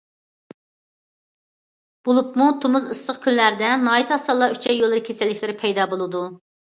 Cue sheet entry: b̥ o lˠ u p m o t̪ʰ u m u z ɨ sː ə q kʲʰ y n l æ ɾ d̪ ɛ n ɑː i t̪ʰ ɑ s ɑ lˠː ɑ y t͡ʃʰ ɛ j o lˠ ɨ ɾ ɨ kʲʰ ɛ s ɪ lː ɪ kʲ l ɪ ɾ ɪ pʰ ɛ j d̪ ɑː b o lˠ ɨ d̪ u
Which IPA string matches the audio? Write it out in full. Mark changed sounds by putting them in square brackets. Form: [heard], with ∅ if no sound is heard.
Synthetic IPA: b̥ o lˠ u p m [u] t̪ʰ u m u z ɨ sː ə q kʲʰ y n l æ ɾ d̪ ɛ n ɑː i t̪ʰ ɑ s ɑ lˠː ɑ y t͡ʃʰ ɛ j o lˠ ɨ ɾ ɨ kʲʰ [e] s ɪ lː ɪ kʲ l ɪ ɾ ɪ pʰ ɛ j d̪ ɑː b o lˠ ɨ d̪ u